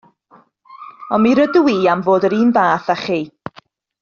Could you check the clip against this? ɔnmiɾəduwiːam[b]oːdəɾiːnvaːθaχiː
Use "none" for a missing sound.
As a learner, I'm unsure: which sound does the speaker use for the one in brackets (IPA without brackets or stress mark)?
v